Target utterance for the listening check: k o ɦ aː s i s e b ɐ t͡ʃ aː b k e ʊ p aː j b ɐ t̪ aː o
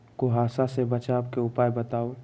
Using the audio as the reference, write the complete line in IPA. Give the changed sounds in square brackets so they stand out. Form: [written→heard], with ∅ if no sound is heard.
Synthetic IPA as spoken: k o ɦ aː s [i→a] s e b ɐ t͡ʃ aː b k e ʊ p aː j b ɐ t̪ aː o